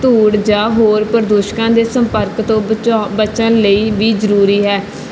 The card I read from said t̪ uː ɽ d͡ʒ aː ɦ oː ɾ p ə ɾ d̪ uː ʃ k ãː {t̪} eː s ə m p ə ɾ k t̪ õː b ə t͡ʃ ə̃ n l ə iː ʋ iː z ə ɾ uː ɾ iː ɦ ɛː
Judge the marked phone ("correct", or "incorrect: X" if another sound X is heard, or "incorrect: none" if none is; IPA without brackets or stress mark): incorrect: d̪